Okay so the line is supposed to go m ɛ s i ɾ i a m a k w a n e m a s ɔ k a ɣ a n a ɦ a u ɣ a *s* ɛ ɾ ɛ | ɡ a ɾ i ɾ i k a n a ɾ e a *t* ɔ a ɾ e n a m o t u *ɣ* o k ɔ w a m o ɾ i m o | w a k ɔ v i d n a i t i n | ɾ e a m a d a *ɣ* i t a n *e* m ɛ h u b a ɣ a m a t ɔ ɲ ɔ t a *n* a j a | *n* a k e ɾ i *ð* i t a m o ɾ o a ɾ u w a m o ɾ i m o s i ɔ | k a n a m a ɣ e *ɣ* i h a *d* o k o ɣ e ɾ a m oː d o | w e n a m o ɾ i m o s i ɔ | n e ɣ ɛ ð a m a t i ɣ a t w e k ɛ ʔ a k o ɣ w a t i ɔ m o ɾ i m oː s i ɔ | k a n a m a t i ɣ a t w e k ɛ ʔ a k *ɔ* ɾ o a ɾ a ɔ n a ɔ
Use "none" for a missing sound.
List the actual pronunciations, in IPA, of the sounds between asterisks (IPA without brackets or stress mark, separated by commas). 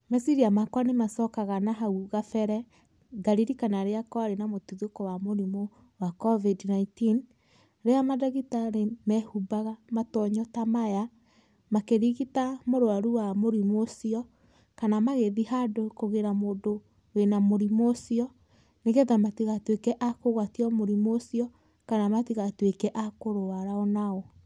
f, k, ð, ɣ, e, m, m, ɣ, ð, d, o